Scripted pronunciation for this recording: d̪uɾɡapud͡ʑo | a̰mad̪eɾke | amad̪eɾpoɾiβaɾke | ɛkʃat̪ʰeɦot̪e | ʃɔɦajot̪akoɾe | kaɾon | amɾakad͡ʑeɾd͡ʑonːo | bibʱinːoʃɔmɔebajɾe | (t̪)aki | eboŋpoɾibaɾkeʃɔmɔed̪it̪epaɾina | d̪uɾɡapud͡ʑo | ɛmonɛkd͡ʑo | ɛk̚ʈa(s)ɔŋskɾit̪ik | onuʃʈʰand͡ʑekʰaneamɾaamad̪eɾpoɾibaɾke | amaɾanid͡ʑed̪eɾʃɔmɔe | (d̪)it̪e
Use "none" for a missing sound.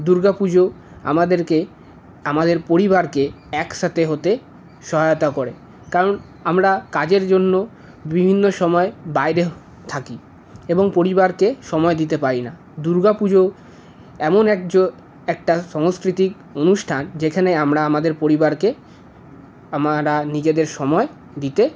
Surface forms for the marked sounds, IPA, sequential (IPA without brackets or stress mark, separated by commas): t̪ʰ, ʃ, d̪